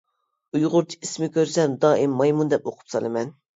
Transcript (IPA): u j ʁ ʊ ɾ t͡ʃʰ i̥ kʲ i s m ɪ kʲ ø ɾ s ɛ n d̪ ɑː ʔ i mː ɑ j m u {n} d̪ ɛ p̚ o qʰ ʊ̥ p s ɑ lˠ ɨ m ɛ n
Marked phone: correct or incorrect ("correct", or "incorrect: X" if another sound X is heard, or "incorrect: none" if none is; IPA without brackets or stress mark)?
correct